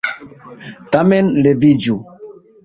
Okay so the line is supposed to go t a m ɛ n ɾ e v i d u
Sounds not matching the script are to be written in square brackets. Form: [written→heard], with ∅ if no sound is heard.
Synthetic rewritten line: t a m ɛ n [ɾ→l] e v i [d→d͡ʒ] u